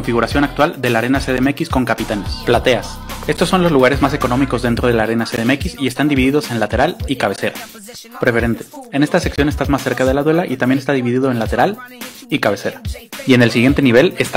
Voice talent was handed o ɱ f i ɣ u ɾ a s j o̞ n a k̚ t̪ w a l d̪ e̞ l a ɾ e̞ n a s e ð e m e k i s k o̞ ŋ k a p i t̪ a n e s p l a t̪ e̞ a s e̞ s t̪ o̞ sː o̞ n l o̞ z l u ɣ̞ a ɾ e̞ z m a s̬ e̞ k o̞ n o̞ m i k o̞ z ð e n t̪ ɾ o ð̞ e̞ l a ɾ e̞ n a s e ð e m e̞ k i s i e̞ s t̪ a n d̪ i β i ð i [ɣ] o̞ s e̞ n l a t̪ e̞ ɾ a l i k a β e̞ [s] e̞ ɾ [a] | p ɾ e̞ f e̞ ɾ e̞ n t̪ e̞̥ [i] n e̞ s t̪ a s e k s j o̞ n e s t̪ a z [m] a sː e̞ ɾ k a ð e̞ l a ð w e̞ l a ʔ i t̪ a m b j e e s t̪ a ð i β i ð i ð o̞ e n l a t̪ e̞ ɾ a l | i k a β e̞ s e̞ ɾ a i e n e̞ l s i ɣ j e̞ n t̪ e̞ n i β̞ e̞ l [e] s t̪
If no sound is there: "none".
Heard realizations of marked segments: ð, s, a, e, m, e

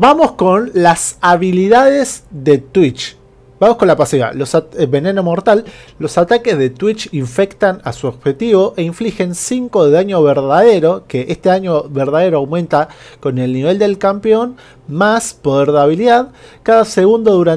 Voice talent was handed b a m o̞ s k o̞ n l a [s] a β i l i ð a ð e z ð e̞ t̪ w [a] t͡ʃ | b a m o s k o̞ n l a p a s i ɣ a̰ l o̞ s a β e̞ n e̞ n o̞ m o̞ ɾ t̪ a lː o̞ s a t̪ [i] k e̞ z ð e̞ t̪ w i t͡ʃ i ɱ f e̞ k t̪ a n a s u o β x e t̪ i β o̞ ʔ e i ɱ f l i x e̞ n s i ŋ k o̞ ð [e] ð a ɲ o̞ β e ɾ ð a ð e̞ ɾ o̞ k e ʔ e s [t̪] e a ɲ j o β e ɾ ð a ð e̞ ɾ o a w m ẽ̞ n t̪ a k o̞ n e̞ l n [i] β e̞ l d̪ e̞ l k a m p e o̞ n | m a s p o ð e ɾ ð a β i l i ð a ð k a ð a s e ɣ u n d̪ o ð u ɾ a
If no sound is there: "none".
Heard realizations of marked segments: s, i, a, e, t̪, i

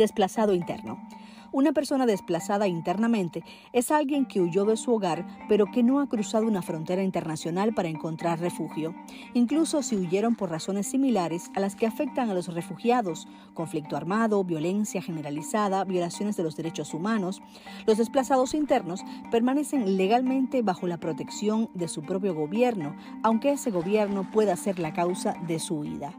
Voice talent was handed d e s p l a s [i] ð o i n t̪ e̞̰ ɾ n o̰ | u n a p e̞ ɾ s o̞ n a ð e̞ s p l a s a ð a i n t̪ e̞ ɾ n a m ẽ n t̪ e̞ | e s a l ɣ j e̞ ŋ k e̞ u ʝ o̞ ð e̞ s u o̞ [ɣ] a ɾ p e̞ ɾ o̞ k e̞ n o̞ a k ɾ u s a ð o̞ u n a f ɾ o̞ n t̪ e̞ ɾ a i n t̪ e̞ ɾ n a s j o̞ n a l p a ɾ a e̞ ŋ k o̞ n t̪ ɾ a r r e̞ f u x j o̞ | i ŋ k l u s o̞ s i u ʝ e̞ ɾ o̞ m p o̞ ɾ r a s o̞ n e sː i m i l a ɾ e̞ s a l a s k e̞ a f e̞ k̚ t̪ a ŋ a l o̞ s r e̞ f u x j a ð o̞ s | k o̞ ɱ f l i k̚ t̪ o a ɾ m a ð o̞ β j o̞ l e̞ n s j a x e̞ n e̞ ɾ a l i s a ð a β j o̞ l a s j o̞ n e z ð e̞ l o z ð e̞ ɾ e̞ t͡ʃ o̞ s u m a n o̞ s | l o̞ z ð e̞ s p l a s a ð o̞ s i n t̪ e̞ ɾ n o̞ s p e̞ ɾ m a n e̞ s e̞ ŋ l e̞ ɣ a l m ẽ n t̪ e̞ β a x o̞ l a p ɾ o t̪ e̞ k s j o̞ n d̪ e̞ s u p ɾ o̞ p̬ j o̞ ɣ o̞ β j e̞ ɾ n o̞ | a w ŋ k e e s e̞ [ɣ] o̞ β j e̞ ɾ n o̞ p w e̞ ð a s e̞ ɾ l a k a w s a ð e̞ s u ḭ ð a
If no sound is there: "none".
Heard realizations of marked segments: a, ɣ, ɣ

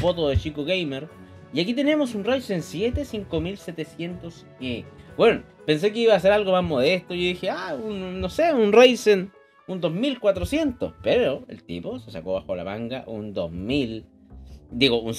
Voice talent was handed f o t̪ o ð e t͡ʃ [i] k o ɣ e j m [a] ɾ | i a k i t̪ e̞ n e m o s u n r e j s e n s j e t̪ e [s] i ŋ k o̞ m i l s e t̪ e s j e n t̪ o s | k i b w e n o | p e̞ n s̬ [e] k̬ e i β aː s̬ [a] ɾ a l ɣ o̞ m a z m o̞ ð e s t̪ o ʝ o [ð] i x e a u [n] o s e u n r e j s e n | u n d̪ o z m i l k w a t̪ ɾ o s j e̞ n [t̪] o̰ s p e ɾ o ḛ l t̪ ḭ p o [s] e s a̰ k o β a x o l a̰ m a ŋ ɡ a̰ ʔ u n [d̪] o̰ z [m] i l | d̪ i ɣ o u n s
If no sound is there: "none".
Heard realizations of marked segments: i, e, s, e, e, ð, nː, t̪, s, d̪, m

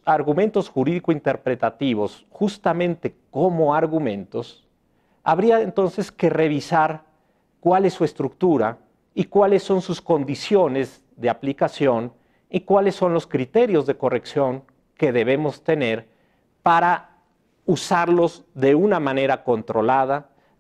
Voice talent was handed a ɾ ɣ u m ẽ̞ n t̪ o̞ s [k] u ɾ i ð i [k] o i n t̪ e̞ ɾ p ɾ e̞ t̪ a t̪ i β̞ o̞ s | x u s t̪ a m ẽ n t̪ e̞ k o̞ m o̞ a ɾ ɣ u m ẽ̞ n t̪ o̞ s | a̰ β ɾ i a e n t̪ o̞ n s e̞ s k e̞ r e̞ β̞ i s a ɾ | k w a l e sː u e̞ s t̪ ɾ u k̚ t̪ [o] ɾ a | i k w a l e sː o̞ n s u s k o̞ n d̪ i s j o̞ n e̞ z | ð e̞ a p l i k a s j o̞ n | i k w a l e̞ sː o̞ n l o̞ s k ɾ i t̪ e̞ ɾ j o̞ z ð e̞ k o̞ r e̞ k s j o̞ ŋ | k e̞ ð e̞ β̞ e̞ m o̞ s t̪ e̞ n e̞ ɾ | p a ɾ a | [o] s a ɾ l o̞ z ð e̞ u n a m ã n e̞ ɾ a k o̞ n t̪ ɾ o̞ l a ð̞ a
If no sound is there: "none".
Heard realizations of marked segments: x, k, u, u

